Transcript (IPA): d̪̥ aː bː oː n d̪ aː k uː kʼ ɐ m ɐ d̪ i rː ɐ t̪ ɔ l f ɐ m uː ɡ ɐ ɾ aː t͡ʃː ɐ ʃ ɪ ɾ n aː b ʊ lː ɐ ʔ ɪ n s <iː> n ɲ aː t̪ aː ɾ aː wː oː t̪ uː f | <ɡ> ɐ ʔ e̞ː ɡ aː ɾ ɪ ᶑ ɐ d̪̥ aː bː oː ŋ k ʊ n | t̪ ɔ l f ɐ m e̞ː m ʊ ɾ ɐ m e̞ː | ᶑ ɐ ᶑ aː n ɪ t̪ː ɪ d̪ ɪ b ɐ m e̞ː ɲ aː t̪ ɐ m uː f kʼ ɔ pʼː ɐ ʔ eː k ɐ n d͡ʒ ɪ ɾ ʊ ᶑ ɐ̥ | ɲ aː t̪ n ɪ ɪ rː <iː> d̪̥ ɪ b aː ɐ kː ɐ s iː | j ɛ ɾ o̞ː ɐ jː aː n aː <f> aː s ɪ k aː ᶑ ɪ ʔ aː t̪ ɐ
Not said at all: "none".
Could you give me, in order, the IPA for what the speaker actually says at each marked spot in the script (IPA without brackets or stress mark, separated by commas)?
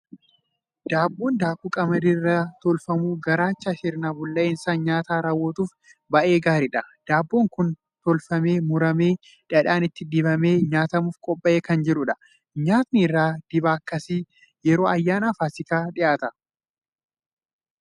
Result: aː, b, aː, f